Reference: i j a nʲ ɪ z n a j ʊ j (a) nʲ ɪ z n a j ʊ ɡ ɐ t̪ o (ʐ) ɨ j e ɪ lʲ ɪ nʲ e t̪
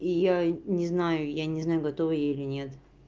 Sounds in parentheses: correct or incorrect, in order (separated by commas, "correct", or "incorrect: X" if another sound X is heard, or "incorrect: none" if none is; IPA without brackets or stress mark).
correct, incorrect: v